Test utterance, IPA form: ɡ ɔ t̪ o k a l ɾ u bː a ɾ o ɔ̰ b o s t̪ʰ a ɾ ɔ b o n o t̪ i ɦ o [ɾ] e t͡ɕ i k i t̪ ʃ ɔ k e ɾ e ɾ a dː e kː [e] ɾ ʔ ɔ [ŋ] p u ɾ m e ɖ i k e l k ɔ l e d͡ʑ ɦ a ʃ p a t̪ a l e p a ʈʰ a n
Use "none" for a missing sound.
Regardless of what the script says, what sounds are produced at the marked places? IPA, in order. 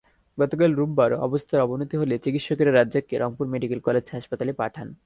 l, e, ŋ

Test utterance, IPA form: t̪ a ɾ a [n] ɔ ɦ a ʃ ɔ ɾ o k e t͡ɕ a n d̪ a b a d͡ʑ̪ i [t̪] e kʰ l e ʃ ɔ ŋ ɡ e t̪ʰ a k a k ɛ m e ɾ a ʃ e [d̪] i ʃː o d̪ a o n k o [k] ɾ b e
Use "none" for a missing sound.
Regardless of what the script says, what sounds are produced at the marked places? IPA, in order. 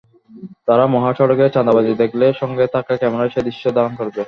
m, d̪, d̪, none

